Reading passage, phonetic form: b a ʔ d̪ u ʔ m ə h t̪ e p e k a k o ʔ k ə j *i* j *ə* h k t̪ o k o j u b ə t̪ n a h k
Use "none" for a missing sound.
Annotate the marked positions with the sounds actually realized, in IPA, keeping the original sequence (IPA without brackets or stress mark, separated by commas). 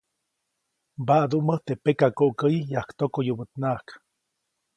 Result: i, a